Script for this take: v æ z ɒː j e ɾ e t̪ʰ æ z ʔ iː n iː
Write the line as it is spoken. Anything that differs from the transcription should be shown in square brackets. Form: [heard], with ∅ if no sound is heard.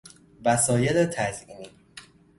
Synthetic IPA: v æ [s] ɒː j e [l] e t̪ʰ æ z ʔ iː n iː